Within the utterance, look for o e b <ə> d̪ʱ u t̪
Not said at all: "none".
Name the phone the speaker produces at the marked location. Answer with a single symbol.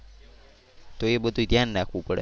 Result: ə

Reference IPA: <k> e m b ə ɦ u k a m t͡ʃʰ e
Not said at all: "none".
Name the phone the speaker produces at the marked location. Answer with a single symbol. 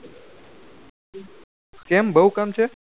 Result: k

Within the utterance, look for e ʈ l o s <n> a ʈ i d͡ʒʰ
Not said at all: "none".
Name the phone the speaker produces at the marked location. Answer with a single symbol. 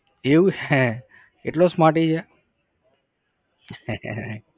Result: m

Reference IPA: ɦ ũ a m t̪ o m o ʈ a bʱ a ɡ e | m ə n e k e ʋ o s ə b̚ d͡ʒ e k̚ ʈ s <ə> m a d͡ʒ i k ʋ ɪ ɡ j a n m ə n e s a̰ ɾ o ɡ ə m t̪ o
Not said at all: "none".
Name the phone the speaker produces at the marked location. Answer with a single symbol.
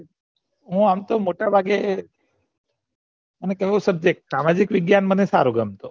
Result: a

